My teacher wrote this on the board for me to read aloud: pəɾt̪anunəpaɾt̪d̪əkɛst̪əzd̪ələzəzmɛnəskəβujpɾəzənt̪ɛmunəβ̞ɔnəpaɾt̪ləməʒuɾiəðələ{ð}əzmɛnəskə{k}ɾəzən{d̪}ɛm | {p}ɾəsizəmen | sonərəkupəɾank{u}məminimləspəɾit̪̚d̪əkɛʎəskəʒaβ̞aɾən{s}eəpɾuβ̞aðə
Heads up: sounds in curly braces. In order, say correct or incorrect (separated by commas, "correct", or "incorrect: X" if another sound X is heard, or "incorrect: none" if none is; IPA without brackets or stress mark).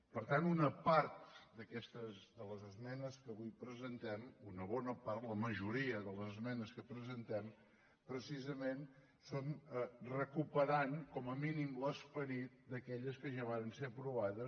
incorrect: z, incorrect: p, incorrect: t̪, correct, incorrect: ɔ, correct